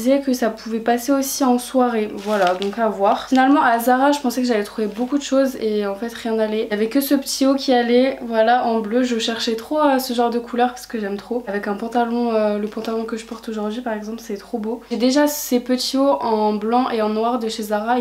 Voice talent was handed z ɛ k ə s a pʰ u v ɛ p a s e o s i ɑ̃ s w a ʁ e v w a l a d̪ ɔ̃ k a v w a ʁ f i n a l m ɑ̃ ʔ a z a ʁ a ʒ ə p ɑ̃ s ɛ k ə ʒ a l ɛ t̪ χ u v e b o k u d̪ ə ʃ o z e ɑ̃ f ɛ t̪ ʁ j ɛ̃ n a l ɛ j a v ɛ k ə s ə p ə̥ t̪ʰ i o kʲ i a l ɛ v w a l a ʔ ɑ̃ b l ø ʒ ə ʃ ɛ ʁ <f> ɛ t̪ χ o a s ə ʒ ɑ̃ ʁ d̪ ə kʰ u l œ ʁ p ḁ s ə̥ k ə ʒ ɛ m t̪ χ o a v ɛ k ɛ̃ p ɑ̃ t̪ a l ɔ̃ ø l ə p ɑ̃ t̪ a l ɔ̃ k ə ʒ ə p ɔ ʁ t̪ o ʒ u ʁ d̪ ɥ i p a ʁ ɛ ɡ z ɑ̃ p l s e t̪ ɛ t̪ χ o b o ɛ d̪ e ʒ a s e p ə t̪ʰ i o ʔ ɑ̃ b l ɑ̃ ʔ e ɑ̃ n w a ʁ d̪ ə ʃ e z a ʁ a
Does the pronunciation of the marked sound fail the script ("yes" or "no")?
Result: yes